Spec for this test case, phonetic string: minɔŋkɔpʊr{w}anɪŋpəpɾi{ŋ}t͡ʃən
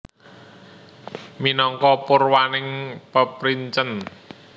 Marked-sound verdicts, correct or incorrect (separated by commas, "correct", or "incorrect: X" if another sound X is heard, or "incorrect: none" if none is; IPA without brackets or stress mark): correct, incorrect: ɲ